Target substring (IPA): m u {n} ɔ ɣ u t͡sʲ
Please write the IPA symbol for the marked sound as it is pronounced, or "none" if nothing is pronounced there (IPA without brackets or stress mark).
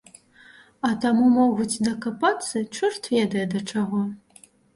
m